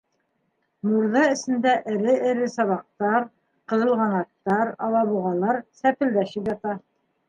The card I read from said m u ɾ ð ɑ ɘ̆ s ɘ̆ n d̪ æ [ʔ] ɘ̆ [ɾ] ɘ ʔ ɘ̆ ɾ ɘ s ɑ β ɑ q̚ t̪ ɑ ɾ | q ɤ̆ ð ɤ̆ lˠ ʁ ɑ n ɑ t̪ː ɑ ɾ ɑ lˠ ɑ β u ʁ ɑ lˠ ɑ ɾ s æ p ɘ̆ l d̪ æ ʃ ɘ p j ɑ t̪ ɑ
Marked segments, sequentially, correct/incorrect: correct, correct

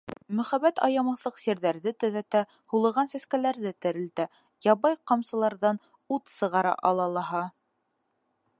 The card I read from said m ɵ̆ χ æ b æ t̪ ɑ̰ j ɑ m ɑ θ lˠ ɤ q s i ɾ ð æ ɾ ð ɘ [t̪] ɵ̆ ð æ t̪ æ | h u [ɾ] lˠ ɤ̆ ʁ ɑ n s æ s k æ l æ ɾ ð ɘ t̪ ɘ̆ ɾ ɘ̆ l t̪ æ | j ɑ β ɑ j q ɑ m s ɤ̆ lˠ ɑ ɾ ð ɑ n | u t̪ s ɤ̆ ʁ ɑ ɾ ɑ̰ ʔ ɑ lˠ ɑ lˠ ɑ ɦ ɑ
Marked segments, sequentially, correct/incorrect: correct, incorrect: none

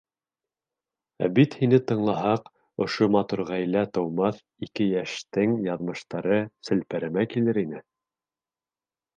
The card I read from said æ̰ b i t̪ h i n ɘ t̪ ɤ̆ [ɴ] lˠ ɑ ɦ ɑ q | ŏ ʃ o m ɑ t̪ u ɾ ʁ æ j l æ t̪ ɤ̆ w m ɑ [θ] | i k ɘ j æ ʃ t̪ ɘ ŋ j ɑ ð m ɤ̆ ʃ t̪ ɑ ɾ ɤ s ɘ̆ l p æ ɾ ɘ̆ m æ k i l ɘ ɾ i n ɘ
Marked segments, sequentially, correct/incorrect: correct, correct

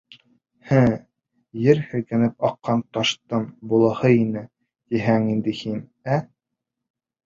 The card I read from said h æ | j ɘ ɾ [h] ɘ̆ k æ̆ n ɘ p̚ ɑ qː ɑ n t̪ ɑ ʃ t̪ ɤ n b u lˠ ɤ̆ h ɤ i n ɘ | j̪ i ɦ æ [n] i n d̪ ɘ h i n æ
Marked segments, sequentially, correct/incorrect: correct, incorrect: ŋ

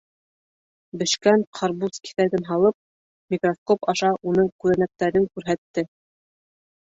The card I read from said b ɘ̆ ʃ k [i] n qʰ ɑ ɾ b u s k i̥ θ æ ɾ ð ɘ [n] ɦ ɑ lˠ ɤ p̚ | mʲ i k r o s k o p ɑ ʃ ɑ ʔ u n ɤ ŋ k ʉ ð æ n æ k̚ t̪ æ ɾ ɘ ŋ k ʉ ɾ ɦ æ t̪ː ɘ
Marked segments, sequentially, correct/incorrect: incorrect: æ, correct

